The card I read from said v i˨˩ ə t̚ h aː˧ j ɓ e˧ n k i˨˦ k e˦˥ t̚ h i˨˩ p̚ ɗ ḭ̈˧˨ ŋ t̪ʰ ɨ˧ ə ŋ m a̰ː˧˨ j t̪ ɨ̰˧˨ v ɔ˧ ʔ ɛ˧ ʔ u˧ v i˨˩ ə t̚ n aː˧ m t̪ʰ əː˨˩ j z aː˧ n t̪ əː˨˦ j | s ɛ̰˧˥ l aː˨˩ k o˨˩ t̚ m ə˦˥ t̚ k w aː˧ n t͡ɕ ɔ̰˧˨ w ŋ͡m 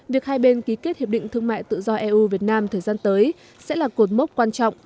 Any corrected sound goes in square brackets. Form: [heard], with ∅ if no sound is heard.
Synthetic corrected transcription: v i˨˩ ə [k̚] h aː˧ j ɓ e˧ n k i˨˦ k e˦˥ t̚ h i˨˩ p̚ ɗ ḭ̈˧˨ ŋ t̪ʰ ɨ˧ ə ŋ m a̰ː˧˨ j t̪ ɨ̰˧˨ [z] ɔ˧ ʔ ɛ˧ ʔ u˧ v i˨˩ ə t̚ n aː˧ m t̪ʰ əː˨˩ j z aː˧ n t̪ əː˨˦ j | s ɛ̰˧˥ l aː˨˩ k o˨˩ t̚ m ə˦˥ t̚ k w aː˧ n t͡ɕ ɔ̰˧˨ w ŋ͡m